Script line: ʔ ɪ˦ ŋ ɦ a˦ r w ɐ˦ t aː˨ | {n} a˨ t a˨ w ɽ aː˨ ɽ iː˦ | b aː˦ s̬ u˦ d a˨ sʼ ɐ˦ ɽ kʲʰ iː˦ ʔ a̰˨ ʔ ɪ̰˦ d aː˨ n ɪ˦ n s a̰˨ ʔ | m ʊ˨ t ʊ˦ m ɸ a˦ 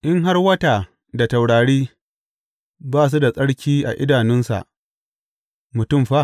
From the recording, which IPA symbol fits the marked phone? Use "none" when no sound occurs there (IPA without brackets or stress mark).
d